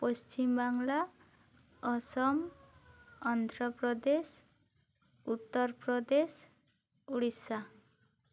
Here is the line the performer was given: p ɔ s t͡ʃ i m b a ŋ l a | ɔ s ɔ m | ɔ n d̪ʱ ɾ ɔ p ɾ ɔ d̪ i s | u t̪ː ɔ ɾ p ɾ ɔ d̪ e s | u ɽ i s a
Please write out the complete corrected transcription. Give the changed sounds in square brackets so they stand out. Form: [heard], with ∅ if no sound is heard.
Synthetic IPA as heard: p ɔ s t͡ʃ i m b a ŋ l a | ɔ s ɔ m | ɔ n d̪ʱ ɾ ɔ p ɾ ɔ d̪ [e] s | u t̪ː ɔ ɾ p ɾ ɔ d̪ e s | u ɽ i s a